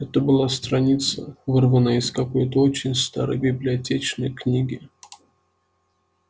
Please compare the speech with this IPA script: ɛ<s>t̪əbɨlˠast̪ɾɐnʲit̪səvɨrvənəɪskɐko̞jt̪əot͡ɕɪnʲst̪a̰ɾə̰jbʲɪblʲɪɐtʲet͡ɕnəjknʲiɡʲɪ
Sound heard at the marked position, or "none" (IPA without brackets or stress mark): none